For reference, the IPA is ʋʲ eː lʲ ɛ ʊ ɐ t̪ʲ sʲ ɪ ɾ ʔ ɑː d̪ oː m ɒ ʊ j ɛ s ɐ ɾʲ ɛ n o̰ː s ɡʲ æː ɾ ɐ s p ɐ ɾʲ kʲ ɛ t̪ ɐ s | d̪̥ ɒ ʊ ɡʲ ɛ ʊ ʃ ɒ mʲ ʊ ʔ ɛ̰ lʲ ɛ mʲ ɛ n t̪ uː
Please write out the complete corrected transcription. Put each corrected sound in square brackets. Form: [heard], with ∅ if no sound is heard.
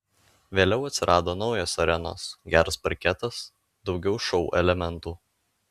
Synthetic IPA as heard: ʋʲ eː lʲ ɛ ʊ ɐ t̪ʲ sʲ ɪ ɾ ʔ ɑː d̪ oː [n] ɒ ʊ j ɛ s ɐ ɾʲ ɛ n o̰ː s ɡʲ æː ɾ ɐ s p ɐ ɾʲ kʲ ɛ t̪ ɐ s | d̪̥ ɒ ʊ ɡʲ ɛ ʊ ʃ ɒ [∅] ʊ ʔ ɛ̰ lʲ ɛ mʲ ɛ n t̪ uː